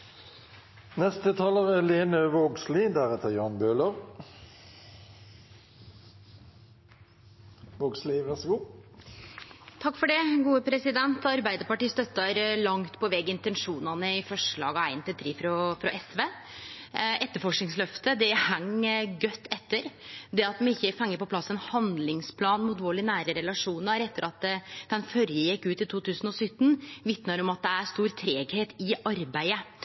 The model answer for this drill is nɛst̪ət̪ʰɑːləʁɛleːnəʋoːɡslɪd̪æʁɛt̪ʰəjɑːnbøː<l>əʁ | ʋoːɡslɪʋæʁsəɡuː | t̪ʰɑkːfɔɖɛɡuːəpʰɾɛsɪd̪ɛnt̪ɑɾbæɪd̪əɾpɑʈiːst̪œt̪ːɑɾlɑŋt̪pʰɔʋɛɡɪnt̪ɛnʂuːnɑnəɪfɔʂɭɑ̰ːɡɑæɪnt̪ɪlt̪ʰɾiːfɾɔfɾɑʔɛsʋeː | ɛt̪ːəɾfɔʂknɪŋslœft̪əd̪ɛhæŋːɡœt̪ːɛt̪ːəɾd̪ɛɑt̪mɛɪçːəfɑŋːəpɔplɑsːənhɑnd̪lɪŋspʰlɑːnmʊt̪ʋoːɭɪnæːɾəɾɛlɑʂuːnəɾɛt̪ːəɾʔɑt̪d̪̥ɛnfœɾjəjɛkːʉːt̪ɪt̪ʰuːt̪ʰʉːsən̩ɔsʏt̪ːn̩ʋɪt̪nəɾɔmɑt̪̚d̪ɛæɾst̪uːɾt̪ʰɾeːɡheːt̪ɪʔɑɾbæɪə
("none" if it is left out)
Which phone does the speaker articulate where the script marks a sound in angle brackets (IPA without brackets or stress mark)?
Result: l